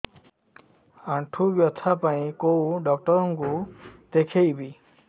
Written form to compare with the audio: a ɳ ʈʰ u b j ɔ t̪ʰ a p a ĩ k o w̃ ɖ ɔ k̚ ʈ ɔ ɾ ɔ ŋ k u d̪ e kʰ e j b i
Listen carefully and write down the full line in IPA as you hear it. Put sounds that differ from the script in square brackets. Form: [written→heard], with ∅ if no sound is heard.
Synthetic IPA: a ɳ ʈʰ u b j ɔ t̪ʰ a p a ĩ k o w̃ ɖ ɔ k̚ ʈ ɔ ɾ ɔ ŋ k u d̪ e kʰ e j b i